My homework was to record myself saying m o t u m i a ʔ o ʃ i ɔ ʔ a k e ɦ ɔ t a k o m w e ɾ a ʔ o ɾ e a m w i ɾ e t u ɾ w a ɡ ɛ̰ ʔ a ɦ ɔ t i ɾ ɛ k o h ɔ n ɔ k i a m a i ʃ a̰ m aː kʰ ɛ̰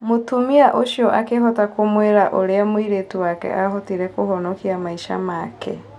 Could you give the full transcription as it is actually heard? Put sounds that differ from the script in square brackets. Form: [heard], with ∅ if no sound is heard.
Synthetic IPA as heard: m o t u m i a ʔ o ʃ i ɔ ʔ a k e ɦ ɔ t a k o m w e ɾ a ʔ o ɾ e a m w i ɾ e t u [∅] w a [k] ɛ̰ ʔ a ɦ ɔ t i ɾ ɛ k o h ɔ n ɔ k i a m a i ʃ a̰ m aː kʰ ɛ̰